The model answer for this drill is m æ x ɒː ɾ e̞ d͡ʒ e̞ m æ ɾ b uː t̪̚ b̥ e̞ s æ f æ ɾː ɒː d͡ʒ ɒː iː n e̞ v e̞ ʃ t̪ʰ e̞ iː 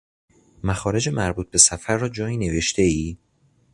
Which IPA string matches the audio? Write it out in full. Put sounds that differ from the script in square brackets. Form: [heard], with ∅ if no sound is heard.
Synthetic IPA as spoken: m æ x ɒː ɾ e̞ d͡ʒ e̞ m æ ɾ b uː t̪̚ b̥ e̞ s æ f æ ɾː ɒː d͡ʒ ɒː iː n e̞ v e̞ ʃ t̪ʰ e̞ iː